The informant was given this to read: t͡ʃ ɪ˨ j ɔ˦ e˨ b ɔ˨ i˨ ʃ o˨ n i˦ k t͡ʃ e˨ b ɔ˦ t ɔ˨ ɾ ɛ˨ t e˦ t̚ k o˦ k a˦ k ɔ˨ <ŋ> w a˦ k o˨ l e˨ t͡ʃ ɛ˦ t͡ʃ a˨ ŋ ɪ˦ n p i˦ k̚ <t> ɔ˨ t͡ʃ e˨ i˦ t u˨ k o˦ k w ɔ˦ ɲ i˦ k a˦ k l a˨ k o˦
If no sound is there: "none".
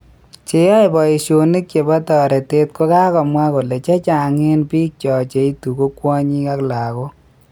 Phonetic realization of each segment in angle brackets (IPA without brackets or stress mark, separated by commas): m, t͡ʃ